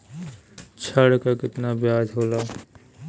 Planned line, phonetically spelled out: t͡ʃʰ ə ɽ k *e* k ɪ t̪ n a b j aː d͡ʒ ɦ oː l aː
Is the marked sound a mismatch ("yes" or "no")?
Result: yes